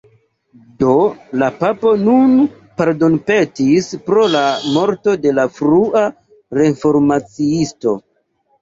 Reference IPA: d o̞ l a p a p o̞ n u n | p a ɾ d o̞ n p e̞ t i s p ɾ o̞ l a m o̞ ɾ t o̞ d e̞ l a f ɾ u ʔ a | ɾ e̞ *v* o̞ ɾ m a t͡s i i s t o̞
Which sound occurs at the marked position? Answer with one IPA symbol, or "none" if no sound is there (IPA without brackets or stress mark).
f